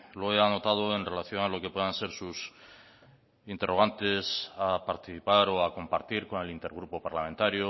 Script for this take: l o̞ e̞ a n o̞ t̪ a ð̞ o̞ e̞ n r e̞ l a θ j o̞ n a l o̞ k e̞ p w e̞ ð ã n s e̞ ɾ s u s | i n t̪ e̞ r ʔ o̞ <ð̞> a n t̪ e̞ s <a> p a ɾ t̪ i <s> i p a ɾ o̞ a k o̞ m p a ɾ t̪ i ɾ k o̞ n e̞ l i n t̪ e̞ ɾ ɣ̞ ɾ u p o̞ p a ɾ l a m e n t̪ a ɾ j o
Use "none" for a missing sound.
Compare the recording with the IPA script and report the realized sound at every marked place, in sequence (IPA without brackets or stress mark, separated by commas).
ɣ̞, a, θ